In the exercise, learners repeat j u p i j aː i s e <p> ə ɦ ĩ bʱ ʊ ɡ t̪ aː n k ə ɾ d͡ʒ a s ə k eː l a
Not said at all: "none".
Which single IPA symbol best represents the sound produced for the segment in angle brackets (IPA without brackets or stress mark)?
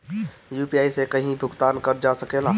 k